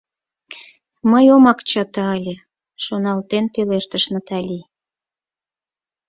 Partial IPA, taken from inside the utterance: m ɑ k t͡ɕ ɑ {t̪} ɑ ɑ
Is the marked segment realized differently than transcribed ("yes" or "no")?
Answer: no